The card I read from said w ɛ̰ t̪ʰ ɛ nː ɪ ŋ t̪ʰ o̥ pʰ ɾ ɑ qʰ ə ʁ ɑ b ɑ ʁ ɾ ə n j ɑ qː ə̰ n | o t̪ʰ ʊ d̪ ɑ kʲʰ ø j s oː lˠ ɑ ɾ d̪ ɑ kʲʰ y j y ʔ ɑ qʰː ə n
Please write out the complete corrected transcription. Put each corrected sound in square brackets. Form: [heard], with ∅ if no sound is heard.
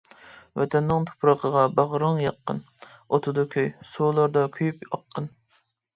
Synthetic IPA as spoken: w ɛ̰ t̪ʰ ɛ nː ɪ ŋ t̪ʰ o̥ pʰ ɾ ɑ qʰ ə ʁ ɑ b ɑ ʁ ɾ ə [ŋ] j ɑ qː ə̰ n | o t̪ʰ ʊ d̪ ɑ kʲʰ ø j s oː lˠ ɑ ɾ d̪ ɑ kʲʰ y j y [p] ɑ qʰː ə n